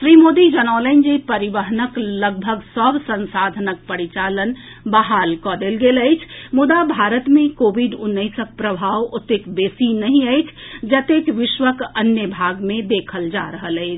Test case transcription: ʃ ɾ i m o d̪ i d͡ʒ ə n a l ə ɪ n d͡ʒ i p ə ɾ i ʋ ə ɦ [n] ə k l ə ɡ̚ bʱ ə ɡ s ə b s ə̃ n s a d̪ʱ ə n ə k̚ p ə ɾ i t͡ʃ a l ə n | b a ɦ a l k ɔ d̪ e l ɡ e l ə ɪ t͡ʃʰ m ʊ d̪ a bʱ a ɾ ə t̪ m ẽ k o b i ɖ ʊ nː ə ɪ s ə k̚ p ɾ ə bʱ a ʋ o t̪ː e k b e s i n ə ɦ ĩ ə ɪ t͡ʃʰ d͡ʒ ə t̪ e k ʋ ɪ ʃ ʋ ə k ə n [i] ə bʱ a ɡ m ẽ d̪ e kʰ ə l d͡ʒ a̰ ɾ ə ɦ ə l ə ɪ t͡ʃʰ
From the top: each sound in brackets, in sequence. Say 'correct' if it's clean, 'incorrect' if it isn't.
correct, incorrect: j

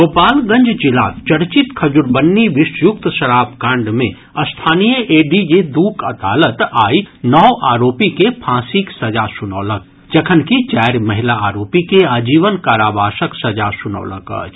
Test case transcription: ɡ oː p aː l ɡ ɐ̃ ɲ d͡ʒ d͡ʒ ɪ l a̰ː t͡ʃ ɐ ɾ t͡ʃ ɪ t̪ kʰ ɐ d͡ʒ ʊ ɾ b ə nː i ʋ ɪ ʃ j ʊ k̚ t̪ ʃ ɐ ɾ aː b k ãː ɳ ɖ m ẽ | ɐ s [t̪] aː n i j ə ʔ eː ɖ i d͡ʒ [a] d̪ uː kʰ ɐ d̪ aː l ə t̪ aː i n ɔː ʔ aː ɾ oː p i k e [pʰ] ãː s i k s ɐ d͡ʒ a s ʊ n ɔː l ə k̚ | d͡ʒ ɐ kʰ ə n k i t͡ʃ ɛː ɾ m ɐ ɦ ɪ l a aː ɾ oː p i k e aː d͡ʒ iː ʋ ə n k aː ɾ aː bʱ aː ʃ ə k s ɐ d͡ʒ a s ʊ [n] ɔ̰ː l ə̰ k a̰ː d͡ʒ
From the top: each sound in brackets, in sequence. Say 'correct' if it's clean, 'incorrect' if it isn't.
incorrect: t̪ʰ, incorrect: e, correct, correct

